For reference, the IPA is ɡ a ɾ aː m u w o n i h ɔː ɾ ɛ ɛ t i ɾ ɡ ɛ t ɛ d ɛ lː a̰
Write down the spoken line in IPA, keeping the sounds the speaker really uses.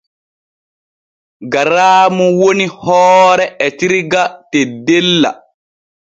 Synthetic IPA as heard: ɡ a ɾ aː m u w o n i h ɔː ɾ ɛ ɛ t i ɾ ɡ a t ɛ d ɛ lː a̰